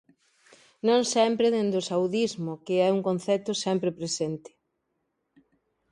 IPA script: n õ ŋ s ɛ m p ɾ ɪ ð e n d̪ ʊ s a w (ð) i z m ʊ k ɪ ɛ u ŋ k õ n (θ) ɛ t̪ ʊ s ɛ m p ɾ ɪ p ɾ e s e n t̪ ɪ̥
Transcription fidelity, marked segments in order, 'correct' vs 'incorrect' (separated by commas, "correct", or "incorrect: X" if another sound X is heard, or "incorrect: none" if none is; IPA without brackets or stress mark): correct, correct